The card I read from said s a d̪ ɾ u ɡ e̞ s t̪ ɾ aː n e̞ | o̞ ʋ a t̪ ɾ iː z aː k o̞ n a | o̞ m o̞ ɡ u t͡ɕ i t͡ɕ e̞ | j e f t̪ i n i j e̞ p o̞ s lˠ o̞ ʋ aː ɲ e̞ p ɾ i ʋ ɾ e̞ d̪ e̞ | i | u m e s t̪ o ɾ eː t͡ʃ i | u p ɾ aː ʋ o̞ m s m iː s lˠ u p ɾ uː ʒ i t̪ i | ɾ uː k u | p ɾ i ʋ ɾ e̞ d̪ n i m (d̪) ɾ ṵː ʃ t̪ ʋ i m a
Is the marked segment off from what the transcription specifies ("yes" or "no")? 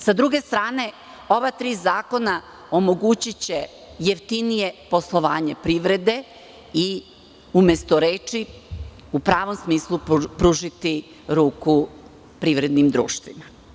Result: no